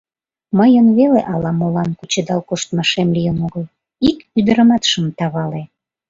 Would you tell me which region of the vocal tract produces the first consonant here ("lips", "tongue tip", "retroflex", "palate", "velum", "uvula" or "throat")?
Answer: lips